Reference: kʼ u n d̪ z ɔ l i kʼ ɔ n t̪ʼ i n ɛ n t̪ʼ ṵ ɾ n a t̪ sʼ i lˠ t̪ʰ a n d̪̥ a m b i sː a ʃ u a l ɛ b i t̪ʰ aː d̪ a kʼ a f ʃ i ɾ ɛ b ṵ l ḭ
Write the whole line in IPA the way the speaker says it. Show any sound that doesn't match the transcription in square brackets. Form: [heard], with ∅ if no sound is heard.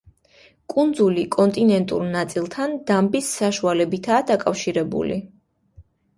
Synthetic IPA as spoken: kʼ u n d̪ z [u] l i kʼ ɔ n t̪ʼ i n ɛ n t̪ʼ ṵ ɾ n a t̪ sʼ i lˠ t̪ʰ a n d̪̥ a m b i sː a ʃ u a l ɛ b i t̪ʰ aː d̪ a kʼ a f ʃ i ɾ ɛ b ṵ l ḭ